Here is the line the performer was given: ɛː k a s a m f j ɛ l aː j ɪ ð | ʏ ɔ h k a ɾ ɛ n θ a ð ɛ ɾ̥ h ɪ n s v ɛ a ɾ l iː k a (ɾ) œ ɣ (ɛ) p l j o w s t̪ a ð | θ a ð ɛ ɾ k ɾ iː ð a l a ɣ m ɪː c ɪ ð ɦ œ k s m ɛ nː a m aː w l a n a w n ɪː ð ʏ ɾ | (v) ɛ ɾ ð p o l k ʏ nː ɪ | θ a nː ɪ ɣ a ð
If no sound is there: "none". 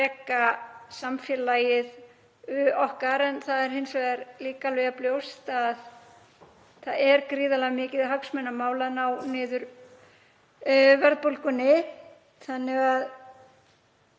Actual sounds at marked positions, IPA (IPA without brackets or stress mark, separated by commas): l, a, v